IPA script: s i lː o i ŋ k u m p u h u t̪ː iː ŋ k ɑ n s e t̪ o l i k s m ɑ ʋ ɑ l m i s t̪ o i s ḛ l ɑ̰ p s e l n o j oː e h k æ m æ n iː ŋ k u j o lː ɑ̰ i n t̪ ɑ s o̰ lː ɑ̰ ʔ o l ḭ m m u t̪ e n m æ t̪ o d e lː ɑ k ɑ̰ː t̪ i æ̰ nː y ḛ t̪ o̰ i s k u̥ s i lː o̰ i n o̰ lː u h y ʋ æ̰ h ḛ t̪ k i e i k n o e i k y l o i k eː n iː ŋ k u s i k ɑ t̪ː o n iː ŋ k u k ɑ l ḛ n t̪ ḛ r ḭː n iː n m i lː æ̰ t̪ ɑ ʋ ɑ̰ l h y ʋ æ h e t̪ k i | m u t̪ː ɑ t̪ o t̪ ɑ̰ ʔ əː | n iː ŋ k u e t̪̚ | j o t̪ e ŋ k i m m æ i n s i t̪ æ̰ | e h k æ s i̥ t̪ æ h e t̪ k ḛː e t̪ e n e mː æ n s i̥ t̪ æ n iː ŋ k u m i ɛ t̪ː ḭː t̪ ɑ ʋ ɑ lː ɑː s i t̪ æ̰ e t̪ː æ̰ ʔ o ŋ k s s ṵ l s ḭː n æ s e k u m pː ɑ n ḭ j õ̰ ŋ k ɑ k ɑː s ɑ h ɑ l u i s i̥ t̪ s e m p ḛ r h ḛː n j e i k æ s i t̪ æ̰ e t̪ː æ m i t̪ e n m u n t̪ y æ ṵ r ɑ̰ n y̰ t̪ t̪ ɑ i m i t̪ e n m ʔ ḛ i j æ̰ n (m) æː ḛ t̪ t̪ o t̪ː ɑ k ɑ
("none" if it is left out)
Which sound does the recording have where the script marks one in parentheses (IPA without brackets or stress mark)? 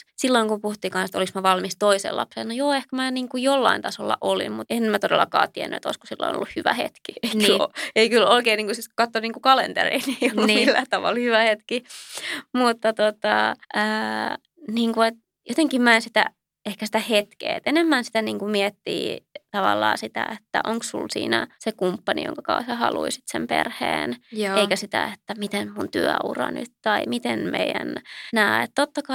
n